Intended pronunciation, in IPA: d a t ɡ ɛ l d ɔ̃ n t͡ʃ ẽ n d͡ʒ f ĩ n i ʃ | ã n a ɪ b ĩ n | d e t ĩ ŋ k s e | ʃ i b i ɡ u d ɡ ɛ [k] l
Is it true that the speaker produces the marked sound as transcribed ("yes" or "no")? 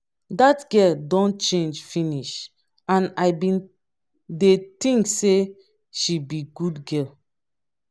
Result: no